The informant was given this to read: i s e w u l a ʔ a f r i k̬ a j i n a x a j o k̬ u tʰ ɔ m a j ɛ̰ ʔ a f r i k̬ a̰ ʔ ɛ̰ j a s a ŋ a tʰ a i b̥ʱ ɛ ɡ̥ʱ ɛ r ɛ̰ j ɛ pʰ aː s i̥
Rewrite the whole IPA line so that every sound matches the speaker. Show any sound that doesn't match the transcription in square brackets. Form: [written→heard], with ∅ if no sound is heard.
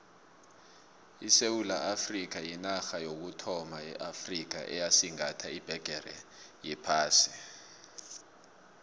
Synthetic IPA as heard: i s e w u l a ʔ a f r i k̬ a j i n a x a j o k̬ u tʰ ɔ m a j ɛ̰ ʔ a f r i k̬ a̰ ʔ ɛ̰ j a s [a→i] ŋ a tʰ a i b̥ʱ ɛ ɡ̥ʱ ɛ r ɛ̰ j ɛ pʰ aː s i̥